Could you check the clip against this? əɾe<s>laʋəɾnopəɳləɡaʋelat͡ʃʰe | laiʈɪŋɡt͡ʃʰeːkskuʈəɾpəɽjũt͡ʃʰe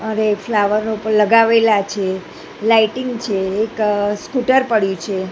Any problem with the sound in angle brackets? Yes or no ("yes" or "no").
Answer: yes